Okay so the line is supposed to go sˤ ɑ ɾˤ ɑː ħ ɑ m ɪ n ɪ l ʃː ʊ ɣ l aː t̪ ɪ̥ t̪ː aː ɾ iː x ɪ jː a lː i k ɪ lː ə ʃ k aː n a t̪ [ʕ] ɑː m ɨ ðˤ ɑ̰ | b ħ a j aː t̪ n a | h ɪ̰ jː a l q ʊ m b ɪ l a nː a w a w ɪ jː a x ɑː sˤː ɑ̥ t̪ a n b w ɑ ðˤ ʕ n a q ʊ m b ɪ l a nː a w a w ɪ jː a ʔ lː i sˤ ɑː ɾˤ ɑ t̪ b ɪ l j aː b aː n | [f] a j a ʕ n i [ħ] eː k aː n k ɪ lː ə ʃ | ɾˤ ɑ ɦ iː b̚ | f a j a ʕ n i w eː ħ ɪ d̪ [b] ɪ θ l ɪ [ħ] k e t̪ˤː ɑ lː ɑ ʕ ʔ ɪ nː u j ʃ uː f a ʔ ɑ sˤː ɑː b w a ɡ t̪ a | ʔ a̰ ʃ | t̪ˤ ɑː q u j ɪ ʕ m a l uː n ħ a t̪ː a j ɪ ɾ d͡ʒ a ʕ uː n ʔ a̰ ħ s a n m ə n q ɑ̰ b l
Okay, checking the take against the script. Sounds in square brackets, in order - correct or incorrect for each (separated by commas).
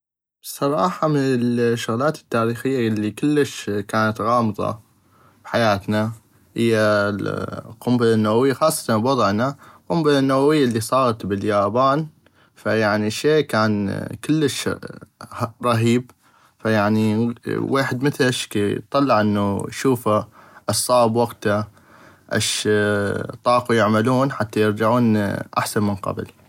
incorrect, correct, incorrect, incorrect, incorrect